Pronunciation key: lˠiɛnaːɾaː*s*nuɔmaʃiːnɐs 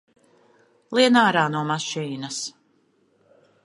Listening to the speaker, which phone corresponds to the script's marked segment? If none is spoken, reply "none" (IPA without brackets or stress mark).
none